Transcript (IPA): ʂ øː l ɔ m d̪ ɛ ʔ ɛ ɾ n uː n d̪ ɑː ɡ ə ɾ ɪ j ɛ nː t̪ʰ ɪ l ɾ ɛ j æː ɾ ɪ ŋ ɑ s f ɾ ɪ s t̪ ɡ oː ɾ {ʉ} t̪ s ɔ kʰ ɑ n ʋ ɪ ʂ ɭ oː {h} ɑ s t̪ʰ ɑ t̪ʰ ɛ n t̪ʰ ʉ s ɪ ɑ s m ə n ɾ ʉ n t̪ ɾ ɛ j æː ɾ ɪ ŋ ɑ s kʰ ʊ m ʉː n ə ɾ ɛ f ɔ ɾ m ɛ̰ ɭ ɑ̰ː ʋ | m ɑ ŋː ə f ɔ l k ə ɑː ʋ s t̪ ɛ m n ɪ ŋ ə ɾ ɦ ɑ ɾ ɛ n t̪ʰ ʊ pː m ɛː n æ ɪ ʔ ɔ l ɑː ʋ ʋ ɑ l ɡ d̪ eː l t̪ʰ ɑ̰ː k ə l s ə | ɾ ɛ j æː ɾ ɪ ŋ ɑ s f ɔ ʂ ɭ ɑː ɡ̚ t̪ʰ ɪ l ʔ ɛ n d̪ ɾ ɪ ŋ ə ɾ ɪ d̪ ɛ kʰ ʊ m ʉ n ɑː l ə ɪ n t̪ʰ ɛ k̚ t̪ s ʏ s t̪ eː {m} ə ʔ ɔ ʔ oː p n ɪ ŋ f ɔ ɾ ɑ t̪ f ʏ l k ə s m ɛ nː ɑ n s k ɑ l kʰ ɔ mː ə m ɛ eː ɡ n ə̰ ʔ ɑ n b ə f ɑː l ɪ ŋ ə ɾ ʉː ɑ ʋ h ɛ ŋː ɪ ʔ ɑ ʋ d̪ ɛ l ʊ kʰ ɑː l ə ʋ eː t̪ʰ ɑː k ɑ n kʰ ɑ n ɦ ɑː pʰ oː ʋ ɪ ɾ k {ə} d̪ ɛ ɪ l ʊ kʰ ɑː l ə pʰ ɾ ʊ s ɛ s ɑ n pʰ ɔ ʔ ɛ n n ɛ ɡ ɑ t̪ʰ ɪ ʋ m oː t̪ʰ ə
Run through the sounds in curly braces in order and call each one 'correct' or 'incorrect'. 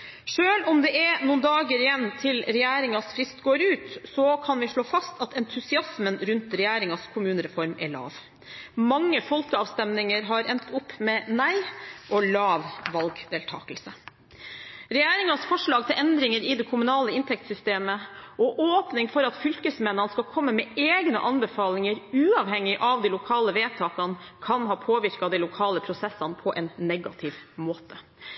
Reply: incorrect: ʉː, incorrect: f, correct, incorrect: ɑ

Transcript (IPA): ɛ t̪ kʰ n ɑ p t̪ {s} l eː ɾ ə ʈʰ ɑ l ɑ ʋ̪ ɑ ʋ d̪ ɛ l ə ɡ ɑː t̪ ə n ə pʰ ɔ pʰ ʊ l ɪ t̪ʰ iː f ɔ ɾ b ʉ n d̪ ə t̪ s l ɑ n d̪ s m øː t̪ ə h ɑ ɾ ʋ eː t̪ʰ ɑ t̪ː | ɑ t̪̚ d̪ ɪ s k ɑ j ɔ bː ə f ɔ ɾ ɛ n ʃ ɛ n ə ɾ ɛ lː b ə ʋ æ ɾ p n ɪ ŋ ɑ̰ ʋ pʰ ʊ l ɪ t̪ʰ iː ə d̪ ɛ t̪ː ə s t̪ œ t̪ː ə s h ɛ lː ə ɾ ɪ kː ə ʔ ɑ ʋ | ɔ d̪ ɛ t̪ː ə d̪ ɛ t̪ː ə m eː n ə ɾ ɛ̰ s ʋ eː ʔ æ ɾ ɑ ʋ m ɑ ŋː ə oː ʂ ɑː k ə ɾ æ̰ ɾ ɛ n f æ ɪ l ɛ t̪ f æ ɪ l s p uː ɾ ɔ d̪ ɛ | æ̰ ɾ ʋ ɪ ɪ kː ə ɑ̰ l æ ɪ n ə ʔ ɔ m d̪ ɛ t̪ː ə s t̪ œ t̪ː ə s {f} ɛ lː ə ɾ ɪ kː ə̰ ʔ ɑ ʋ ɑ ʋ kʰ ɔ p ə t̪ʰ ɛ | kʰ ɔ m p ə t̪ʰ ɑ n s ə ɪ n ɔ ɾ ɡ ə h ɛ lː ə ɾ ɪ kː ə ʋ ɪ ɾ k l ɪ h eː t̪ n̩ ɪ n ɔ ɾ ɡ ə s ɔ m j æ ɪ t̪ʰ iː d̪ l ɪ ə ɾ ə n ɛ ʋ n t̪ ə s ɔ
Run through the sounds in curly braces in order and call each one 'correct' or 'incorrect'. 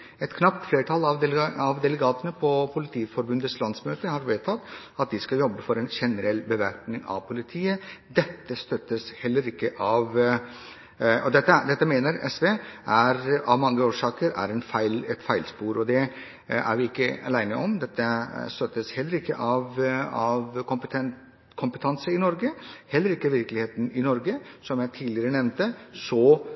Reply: incorrect: f, incorrect: h

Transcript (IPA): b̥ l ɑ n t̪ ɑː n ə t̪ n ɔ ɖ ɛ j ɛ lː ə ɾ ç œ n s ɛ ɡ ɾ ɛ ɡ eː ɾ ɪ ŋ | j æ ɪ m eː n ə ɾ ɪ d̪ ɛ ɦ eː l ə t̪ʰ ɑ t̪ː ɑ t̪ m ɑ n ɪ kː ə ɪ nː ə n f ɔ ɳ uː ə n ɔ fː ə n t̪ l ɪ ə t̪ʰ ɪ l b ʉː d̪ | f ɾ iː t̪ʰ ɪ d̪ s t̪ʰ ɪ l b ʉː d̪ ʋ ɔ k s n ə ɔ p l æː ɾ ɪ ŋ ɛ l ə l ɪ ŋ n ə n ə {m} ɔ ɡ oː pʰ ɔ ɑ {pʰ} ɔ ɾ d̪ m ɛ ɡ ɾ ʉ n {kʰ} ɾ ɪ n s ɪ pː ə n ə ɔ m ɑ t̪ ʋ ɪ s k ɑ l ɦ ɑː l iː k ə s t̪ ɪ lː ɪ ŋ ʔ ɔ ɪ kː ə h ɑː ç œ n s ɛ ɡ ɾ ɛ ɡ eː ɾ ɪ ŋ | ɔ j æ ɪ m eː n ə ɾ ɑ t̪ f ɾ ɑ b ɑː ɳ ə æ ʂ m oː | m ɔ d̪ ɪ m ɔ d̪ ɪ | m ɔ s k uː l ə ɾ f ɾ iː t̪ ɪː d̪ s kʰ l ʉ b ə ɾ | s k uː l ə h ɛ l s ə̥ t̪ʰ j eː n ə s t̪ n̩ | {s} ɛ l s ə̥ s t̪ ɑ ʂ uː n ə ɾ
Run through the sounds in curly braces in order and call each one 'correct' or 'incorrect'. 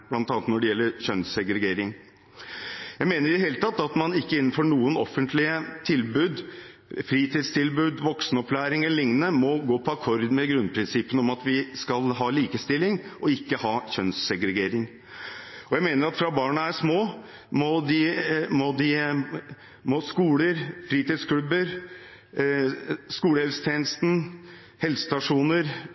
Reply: correct, incorrect: kʰ, incorrect: pʰ, incorrect: h

